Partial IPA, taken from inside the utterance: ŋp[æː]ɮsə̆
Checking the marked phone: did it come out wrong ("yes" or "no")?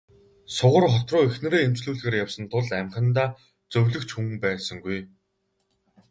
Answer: no